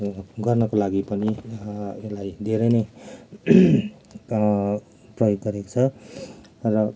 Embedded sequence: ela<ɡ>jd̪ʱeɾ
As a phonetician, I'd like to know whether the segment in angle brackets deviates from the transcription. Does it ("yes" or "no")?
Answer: yes